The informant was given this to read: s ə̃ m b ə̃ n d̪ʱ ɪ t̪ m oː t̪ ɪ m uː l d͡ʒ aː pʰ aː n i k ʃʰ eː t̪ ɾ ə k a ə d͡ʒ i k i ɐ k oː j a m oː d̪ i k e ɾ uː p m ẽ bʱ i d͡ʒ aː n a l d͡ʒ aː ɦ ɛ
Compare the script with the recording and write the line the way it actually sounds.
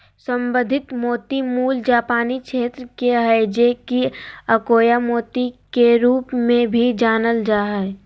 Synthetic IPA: s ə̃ m b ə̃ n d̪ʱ ɪ t̪ m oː t̪ i m uː l d͡ʒ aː p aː n i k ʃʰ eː t̪ ɾ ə k e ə d͡ʒ e k i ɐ k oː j a m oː t̪ i k e ɾ uː p m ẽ bʱ i d͡ʒ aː n ə l d͡ʒ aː ɦ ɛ